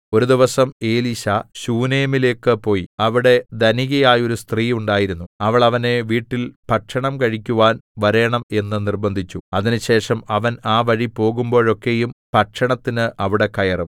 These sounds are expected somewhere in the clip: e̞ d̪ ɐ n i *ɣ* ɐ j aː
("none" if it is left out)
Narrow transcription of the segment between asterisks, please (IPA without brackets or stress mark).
ɣ